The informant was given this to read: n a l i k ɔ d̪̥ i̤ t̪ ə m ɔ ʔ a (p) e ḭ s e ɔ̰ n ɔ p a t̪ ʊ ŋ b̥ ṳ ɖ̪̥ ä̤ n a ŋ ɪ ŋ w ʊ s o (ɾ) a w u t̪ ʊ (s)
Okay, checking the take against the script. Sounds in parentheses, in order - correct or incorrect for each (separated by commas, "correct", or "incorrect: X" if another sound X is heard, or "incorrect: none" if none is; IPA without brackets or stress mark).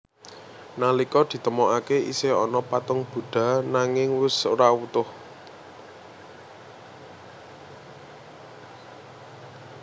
incorrect: k, correct, incorrect: h